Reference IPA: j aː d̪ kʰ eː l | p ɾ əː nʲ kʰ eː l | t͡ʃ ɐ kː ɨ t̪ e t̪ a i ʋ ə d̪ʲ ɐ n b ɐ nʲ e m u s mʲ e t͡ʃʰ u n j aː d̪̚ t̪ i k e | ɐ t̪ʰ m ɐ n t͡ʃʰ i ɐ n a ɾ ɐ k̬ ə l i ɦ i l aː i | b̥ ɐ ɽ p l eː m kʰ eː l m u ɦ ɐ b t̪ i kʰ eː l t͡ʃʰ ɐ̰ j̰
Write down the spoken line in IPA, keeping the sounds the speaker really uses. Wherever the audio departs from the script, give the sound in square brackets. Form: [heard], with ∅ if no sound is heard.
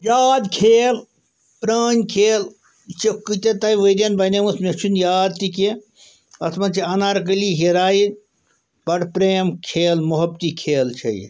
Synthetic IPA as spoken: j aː d̪ kʰ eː l | p ɾ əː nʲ kʰ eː l | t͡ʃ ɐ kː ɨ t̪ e t̪ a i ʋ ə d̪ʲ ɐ n b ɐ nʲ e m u s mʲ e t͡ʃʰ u n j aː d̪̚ t̪ i k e | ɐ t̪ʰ m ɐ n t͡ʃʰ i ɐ n a ɾ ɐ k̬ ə l i ɦ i [ɾ] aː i | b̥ ɐ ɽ p [ɾ] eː m kʰ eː l m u ɦ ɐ b t̪ i kʰ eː l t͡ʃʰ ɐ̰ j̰